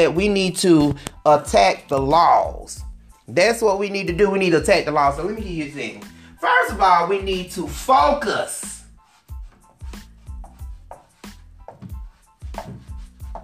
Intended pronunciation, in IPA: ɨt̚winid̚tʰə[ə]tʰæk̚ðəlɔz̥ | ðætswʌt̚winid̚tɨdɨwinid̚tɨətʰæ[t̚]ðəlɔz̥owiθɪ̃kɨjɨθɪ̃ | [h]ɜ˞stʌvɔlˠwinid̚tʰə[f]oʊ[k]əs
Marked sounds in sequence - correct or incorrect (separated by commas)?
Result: correct, incorrect, incorrect, correct, correct